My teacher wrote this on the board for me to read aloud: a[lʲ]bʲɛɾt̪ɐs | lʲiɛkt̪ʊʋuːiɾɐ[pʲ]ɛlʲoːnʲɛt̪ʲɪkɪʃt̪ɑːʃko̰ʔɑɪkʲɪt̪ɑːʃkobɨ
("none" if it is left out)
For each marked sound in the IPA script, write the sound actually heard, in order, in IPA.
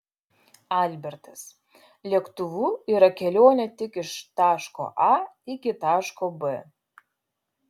lʲ, kʲ

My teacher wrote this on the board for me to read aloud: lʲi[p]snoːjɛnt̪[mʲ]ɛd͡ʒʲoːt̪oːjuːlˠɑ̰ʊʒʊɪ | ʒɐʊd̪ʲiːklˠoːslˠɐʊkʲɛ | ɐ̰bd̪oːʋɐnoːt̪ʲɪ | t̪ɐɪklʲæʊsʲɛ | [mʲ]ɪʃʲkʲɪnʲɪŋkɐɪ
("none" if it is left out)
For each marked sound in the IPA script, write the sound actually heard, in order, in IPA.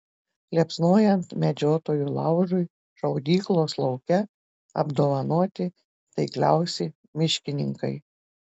p, mʲ, mʲ

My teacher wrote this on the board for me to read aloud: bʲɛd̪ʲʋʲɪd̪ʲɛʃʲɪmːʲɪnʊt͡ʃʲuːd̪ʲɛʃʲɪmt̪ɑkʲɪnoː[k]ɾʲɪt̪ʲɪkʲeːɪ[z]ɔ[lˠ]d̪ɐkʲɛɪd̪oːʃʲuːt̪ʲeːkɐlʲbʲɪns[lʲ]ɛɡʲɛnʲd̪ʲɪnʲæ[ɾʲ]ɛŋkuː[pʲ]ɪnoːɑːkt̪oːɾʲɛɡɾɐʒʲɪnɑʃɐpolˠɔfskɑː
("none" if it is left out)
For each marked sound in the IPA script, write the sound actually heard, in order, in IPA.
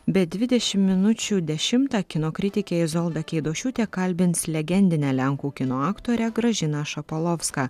k, z, lˠ, lʲ, lʲ, kʲ

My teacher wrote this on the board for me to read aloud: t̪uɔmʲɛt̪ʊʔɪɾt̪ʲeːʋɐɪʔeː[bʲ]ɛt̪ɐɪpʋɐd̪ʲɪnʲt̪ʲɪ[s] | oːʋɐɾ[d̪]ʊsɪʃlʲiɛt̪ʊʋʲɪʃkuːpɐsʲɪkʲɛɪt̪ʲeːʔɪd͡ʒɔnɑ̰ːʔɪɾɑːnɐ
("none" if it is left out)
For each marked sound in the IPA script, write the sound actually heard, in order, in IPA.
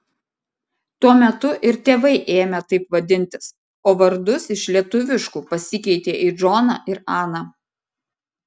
mʲ, s, d̪

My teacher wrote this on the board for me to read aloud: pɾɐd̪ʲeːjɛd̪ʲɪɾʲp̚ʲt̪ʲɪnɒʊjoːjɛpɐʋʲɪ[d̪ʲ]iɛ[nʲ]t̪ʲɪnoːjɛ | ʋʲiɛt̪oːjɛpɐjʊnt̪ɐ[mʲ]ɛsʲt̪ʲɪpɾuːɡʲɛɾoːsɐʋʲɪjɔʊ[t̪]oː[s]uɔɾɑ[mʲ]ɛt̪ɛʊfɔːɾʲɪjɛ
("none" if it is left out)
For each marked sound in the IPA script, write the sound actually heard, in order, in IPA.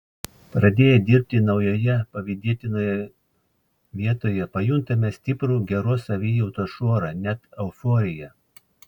d̪ʲ, none, mʲ, t̪, ʃ, nʲ

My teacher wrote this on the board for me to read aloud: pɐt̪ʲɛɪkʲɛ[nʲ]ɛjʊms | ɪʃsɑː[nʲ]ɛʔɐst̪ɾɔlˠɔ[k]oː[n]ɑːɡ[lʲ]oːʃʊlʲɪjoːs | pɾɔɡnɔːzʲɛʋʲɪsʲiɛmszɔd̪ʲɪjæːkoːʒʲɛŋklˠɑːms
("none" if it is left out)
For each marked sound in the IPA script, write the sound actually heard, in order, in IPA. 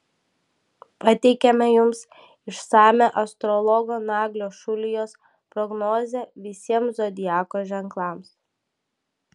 mʲ, mʲ, ɡ, n, lʲ

